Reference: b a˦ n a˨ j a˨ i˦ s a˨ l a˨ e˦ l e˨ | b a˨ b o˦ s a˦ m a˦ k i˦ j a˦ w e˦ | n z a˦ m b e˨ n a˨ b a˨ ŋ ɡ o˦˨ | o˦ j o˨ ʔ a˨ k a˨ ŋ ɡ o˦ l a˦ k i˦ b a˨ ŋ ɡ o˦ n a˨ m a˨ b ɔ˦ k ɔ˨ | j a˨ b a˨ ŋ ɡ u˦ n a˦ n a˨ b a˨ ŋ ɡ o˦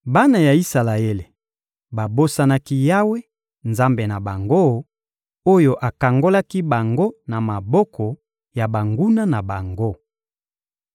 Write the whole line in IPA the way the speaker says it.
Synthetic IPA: b a˦ n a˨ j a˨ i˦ s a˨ l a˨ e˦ l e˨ | b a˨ b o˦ s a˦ n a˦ k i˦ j a˦ w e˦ | n z a˦ m b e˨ n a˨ b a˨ ŋ ɡ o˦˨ | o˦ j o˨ ʔ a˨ k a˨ ŋ ɡ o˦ l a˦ k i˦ b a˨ ŋ ɡ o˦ n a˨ m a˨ b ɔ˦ k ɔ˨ | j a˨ b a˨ ŋ ɡ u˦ n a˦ n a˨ b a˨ ŋ ɡ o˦